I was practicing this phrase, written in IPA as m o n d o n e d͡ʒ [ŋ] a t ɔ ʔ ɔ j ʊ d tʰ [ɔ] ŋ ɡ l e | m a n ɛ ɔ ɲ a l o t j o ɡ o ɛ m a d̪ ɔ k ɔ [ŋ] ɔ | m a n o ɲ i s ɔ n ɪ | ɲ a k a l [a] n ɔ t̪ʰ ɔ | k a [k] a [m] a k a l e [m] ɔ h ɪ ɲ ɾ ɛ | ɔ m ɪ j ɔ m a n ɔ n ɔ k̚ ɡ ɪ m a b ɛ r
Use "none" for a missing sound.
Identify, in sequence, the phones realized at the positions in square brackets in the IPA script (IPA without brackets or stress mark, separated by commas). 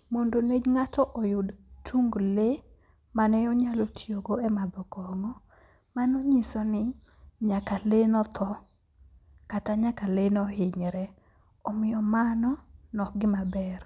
ŋ, u, ŋ, e, t, ɲ, n